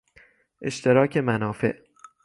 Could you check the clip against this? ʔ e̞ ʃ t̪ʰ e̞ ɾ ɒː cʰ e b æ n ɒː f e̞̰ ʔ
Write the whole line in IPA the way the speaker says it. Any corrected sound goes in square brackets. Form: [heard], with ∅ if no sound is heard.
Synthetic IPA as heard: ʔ e̞ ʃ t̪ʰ e̞ ɾ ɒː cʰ e [m] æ n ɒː f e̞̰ ʔ